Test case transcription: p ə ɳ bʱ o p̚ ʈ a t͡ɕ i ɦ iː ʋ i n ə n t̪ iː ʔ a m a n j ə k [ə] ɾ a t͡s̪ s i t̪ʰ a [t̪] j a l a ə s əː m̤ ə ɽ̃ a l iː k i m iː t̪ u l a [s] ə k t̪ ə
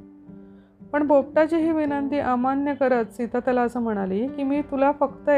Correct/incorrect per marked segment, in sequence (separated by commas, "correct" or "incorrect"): correct, correct, incorrect